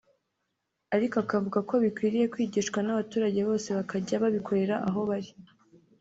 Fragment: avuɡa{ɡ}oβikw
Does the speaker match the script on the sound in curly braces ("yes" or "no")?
no